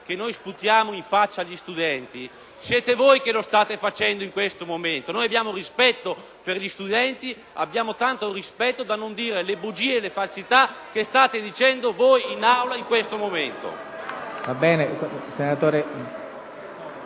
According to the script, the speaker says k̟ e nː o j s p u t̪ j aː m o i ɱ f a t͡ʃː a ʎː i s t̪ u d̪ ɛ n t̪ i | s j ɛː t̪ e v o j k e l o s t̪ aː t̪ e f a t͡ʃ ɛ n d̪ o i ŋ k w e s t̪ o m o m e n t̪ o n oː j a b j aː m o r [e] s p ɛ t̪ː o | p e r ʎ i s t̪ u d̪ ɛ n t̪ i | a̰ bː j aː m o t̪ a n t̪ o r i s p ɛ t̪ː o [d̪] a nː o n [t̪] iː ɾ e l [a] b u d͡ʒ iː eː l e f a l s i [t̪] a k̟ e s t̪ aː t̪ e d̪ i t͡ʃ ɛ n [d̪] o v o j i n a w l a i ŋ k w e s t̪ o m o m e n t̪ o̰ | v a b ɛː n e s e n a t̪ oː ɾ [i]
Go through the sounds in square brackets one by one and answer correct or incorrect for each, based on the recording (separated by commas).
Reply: incorrect, correct, incorrect, incorrect, correct, correct, incorrect